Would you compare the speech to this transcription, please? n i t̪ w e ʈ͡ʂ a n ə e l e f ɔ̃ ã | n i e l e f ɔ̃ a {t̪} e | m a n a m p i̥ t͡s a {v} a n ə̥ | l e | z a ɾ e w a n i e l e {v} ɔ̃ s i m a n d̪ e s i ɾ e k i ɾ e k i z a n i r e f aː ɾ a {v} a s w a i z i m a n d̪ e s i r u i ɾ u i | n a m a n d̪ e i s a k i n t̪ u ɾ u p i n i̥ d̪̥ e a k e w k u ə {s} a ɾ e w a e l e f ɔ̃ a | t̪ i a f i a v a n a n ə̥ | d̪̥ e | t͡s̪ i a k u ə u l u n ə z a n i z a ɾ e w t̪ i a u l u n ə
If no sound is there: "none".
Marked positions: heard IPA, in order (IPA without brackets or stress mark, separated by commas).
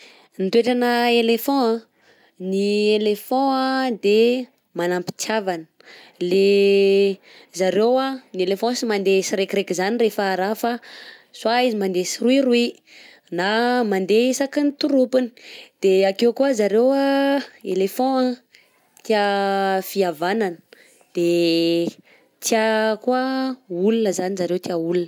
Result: d̪, v, f, f, z